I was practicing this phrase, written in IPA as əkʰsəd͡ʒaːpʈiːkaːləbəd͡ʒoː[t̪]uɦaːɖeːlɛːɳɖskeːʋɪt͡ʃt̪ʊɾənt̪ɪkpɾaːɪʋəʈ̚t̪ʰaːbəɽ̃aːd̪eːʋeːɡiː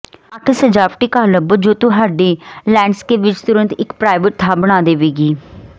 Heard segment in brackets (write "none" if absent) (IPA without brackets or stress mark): t̪